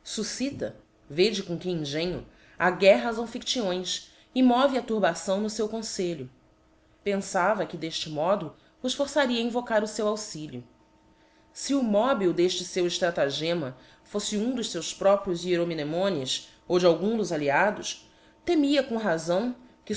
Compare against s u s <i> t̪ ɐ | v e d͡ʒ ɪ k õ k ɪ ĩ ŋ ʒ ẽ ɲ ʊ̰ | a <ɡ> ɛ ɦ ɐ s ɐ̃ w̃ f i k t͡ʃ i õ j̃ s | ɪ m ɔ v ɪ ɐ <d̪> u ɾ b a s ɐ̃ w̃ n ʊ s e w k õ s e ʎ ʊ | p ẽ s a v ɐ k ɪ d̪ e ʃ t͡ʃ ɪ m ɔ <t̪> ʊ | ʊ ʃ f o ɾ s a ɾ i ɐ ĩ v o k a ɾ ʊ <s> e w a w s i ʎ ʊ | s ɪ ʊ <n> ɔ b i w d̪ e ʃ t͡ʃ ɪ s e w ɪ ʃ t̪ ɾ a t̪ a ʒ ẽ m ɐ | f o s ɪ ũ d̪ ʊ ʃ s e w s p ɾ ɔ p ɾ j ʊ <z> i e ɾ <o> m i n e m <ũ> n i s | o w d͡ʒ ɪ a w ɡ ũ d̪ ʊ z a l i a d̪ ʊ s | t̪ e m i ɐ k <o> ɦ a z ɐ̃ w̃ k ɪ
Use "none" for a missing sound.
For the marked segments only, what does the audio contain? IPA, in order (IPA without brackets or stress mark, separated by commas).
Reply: i, ɡ, t̪, d̪, s, m, z, o, õ, õ